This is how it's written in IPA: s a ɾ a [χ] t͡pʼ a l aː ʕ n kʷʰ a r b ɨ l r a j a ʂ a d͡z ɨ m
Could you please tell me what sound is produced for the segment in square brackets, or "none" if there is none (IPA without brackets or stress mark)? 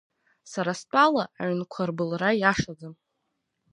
s